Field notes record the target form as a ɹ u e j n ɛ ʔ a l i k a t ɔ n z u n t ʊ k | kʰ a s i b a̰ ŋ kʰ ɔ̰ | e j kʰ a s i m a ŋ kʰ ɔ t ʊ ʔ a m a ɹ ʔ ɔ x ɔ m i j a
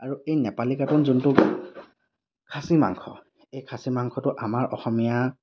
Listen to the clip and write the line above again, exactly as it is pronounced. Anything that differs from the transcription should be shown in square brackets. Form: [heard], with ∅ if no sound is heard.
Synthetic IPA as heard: a ɹ u e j n ɛ [p] a l i k a t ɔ n z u n t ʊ k | kʰ a s i [m] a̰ ŋ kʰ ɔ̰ | e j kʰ a s i m a ŋ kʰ ɔ t ʊ ʔ a m a ɹ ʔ ɔ x ɔ m i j a